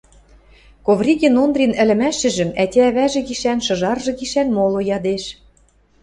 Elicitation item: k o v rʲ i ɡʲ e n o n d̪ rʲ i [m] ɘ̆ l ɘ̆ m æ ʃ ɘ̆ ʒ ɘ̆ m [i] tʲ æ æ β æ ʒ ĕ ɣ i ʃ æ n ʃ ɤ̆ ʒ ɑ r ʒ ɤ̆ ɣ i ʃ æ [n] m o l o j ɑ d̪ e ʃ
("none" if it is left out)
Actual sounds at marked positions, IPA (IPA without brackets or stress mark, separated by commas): n, æ, n